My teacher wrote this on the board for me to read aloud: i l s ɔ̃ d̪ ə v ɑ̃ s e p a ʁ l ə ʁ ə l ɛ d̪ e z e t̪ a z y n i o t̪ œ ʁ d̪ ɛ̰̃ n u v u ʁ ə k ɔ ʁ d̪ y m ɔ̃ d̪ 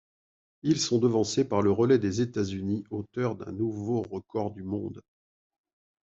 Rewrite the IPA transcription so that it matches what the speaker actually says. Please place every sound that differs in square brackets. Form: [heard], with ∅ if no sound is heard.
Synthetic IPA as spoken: i l s ɔ̃ d̪ ə v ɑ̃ s e p a ʁ l ə ʁ ə l ɛ d̪ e z e t̪ a z y n i o t̪ œ ʁ d̪ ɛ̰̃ n u v [o] ʁ ə k ɔ ʁ d̪ y m ɔ̃ d̪